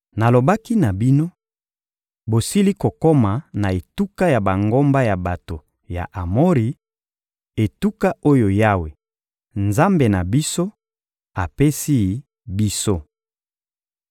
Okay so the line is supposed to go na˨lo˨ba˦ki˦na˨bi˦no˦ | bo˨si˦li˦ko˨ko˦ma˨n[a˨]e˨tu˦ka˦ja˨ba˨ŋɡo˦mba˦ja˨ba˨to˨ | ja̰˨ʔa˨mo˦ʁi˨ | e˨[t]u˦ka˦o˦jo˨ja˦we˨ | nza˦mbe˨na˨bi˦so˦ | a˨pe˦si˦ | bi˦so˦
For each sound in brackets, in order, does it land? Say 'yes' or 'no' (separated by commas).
yes, yes